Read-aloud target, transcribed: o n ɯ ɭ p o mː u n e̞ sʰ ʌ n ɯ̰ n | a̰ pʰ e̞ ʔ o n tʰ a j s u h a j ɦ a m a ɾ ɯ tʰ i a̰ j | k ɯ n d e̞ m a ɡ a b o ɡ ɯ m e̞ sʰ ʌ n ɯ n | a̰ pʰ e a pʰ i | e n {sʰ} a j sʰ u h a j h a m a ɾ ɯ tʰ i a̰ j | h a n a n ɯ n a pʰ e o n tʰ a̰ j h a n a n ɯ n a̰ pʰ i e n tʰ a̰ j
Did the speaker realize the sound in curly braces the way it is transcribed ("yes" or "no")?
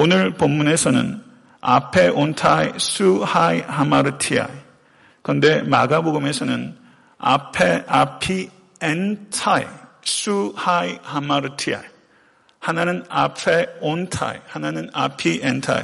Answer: no